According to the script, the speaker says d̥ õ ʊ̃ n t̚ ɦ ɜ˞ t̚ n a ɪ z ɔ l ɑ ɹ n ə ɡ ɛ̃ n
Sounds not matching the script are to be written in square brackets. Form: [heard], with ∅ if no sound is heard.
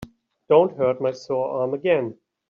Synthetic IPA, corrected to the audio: d̥ õ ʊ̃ n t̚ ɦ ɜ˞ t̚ [m] a ɪ [s] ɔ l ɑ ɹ [m] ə ɡ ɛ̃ n